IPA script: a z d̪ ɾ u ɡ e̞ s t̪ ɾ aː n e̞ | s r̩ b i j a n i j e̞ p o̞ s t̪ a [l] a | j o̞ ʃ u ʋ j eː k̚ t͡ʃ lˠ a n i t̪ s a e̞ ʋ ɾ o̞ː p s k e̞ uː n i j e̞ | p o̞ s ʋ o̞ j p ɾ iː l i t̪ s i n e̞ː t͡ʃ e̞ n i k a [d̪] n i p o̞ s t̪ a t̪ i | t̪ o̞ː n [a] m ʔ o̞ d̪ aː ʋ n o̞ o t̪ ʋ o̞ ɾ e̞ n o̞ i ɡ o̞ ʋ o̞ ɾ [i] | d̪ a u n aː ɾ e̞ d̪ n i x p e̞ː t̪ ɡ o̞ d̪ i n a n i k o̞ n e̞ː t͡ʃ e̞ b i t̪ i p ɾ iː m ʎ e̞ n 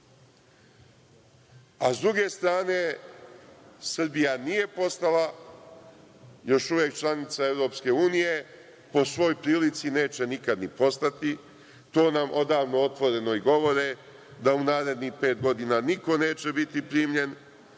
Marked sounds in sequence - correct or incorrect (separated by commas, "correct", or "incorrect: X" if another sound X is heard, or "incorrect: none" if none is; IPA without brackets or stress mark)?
correct, correct, correct, incorrect: e